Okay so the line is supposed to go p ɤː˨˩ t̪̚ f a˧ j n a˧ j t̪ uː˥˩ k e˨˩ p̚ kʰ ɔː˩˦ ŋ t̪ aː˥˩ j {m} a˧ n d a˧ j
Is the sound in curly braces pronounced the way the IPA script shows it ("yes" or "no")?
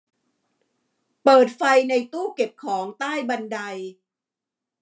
no